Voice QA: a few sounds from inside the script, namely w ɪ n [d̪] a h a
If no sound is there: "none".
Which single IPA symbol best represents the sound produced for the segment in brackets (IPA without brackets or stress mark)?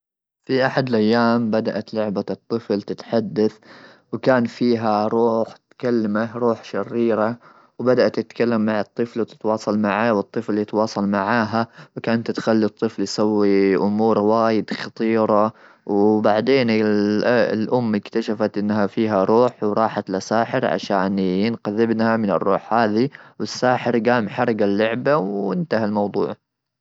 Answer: t̪